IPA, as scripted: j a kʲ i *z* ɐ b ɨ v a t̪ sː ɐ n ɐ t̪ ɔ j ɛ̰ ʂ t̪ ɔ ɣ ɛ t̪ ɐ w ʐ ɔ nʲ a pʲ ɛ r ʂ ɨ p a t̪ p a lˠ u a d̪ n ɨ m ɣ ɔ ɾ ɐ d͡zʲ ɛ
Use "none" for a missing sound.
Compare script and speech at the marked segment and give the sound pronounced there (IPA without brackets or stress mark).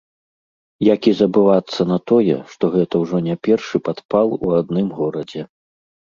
z